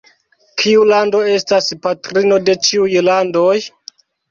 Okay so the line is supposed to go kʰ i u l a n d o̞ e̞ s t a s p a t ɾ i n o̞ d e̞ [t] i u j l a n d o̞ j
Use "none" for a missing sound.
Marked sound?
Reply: t͡ʃ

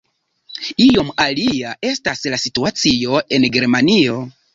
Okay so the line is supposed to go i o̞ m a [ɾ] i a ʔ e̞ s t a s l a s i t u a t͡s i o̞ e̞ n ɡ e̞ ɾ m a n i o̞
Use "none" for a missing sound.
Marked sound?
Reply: l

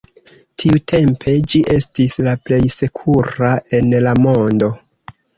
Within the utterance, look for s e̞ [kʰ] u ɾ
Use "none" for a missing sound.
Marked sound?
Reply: kʰ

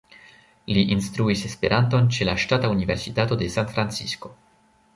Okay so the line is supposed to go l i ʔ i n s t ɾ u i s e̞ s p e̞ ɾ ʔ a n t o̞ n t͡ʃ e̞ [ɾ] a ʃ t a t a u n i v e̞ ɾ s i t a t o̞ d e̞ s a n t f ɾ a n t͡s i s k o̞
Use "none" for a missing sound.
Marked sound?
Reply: l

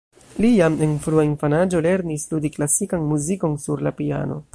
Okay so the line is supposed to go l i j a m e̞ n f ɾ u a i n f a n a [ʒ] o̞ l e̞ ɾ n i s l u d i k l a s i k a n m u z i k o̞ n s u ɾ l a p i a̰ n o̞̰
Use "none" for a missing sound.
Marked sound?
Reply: d͡ʒ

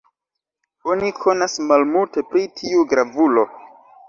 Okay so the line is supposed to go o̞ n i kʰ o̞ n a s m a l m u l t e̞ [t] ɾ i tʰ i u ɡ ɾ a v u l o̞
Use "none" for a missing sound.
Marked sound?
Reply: p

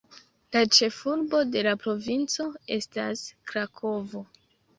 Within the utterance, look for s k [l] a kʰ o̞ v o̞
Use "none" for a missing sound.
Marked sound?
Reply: ɾ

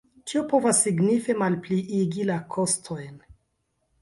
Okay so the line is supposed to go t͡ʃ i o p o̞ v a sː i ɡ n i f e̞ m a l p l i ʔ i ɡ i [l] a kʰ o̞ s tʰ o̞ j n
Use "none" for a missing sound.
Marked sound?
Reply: l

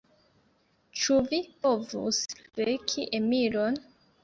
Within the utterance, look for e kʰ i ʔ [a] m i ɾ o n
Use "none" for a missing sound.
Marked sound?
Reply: e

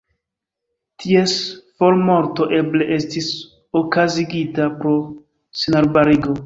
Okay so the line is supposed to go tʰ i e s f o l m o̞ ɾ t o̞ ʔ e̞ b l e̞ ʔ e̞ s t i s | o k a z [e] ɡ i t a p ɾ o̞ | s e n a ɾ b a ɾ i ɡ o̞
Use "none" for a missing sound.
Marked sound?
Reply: i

